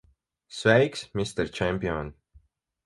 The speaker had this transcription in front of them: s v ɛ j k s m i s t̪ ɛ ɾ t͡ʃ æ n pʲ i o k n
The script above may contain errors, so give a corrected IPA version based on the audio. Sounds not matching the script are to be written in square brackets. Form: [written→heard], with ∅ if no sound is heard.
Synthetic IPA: s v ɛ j k s m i s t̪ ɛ ɾ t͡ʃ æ [n→m] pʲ i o [k→∅] n